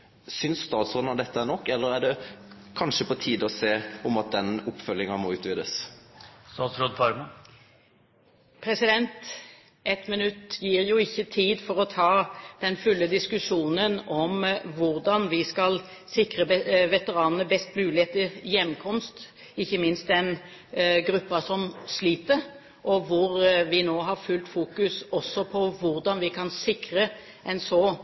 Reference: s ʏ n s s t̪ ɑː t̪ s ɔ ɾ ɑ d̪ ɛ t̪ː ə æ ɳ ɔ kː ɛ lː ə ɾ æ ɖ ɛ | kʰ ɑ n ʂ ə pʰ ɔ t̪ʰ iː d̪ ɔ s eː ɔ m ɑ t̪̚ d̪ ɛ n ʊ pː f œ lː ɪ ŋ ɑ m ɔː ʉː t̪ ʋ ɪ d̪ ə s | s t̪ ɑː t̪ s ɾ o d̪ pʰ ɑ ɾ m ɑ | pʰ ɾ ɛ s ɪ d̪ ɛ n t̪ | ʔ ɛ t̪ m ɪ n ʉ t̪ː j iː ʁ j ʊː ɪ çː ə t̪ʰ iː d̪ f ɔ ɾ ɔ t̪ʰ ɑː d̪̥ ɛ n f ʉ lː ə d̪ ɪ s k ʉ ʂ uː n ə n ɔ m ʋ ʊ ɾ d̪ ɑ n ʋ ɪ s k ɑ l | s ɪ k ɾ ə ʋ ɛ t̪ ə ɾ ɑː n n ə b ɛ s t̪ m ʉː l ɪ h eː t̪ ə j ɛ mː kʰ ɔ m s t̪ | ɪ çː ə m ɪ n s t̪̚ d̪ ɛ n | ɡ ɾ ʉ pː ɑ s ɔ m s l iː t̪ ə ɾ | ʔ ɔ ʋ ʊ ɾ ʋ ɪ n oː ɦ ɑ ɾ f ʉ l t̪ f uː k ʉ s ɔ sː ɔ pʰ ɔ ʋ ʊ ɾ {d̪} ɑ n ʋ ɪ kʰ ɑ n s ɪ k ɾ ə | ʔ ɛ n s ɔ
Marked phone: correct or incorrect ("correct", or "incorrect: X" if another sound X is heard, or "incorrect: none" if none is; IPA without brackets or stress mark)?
correct